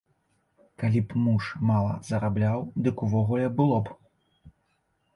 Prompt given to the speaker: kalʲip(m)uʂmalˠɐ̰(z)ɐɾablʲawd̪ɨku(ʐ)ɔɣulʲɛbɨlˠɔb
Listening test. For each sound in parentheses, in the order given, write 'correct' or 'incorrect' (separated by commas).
correct, correct, incorrect